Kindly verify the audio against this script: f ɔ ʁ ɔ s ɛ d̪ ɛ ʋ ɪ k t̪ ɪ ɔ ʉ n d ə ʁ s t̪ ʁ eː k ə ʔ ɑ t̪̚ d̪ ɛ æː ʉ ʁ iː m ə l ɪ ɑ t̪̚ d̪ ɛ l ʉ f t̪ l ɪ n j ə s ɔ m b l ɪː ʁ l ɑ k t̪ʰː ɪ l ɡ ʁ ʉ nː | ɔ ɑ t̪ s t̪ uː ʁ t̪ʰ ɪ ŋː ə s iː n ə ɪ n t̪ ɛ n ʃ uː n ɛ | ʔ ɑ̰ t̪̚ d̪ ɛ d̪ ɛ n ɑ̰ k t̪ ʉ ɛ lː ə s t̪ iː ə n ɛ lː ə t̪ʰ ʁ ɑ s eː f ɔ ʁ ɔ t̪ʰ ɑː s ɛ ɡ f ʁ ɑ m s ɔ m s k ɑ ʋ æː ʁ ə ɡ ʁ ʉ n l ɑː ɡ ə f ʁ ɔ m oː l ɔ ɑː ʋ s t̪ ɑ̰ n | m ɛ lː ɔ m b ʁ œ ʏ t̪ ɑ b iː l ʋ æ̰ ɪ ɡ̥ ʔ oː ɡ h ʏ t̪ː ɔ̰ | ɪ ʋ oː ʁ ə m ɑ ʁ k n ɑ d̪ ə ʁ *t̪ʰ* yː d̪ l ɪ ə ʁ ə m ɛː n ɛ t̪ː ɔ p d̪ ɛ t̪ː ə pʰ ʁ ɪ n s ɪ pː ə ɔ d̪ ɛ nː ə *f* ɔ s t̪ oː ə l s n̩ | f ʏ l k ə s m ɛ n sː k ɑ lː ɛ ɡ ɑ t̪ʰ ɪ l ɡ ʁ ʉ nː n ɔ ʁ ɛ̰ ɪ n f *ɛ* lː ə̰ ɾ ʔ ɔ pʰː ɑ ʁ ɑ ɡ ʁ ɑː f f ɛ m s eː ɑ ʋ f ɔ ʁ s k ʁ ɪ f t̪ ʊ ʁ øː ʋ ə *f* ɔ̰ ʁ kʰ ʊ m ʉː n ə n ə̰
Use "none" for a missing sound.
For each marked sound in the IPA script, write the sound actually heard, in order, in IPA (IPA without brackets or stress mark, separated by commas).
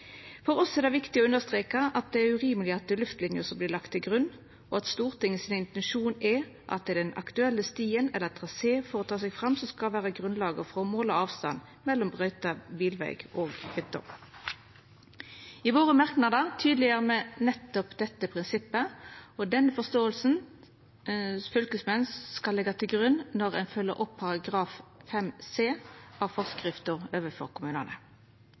t̪ʰ, f, œ, f